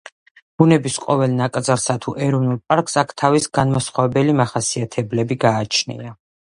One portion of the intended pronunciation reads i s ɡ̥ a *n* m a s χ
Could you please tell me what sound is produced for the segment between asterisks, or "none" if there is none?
n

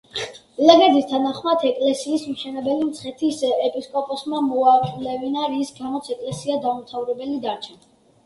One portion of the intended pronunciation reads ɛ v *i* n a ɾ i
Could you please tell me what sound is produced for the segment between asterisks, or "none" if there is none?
i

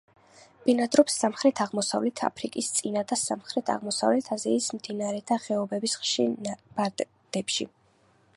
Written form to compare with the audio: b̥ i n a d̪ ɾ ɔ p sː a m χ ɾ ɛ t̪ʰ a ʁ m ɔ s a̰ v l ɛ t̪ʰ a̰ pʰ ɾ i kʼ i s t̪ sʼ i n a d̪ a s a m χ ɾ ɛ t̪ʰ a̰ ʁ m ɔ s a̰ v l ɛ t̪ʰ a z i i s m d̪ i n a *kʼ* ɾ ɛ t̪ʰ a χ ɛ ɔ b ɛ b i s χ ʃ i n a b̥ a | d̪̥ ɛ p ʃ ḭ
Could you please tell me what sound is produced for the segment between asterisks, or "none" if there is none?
none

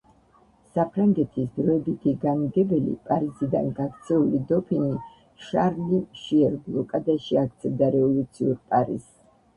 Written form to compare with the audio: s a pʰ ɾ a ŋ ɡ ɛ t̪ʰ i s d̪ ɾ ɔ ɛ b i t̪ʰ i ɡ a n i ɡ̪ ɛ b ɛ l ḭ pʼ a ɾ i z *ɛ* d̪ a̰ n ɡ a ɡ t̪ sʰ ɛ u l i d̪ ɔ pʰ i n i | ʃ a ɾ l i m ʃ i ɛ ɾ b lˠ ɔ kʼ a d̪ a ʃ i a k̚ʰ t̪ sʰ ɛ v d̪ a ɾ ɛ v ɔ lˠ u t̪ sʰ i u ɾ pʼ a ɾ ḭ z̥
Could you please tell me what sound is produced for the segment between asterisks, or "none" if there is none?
i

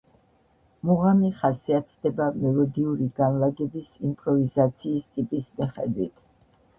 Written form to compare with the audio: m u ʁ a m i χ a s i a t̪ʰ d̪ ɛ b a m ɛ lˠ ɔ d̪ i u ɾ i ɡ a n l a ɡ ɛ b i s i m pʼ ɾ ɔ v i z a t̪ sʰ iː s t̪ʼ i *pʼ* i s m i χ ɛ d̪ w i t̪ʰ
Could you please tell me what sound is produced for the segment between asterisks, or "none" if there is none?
pʼ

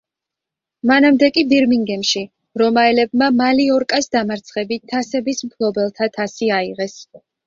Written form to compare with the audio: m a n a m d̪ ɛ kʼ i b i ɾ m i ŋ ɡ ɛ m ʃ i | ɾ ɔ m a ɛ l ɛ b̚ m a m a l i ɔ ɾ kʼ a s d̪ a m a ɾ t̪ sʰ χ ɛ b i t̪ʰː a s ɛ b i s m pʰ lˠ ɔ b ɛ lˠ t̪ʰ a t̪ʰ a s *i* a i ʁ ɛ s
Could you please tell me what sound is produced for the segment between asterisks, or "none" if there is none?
i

